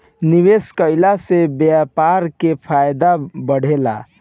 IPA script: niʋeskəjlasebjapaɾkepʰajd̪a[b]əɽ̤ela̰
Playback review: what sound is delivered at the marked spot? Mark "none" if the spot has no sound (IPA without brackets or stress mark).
b